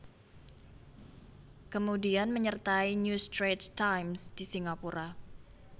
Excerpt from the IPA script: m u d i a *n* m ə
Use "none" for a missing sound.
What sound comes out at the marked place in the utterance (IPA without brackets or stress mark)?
n